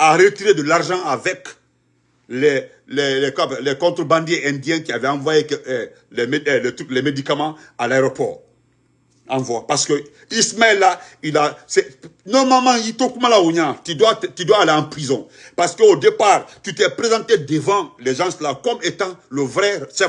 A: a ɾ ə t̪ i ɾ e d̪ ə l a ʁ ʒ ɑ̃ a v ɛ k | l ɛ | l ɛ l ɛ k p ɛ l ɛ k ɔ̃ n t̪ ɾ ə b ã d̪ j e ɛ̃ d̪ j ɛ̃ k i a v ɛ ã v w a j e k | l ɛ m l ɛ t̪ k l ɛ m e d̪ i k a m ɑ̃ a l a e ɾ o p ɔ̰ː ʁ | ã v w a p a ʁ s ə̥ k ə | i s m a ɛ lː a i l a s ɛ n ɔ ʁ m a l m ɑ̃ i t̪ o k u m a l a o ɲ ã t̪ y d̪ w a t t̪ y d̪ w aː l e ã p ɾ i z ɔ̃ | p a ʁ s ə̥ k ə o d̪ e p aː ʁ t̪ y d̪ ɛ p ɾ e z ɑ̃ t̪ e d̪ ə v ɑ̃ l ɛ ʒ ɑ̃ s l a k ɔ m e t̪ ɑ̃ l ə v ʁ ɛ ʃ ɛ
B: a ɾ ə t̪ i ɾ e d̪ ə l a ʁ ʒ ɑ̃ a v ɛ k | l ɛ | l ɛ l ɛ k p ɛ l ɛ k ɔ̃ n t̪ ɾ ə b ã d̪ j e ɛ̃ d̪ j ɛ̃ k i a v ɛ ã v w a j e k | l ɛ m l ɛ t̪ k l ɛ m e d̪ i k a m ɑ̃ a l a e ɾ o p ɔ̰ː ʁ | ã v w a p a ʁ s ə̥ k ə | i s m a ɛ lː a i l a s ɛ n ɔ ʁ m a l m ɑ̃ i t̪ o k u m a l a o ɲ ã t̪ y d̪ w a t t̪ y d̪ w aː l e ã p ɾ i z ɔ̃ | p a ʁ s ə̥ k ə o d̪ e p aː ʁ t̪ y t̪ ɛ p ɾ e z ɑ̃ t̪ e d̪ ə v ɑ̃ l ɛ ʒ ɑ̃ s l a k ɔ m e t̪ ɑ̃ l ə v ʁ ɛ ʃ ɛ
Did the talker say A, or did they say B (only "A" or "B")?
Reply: B